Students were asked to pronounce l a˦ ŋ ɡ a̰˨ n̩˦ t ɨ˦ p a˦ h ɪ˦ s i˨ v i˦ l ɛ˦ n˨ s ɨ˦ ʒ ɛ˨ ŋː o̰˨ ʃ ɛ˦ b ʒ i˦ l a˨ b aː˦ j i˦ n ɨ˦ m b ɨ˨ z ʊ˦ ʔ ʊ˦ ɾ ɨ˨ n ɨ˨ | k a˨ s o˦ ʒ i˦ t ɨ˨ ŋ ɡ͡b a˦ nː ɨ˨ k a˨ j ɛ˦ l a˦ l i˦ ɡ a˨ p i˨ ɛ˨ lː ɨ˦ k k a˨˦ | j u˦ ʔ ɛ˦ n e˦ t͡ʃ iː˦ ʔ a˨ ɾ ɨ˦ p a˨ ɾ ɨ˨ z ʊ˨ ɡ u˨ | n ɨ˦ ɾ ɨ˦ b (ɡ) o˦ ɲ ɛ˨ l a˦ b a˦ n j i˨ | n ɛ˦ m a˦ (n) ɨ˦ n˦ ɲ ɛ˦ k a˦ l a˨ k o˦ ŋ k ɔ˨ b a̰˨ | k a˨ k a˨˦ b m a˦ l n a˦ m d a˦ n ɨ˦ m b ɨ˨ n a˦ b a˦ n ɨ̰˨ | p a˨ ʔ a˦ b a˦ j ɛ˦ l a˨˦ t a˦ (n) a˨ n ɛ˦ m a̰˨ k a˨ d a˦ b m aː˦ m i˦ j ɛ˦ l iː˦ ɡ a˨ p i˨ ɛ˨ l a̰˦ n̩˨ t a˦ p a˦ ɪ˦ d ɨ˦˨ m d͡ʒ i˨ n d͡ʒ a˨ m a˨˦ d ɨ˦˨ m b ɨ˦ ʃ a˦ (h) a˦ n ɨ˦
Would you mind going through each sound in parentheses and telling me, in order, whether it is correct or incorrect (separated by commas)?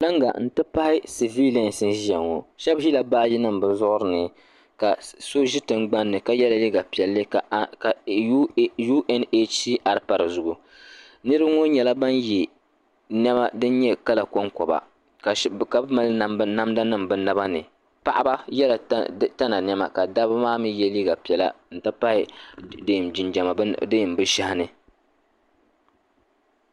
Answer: incorrect, incorrect, correct, correct